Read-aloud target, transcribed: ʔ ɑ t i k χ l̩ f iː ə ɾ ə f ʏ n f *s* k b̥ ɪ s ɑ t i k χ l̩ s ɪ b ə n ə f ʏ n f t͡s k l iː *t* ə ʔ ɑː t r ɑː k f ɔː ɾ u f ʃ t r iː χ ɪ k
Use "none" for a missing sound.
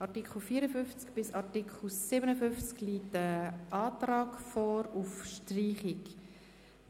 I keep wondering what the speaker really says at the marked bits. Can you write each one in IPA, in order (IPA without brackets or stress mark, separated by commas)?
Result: t͡s, t